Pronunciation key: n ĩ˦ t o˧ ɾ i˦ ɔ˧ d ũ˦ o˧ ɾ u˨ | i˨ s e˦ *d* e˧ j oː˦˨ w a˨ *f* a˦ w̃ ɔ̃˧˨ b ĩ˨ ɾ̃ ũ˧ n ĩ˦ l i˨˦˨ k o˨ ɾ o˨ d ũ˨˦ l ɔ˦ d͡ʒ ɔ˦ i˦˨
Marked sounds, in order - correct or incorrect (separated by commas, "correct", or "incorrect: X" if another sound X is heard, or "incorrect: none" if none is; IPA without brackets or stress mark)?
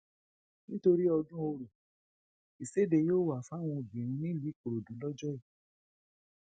correct, correct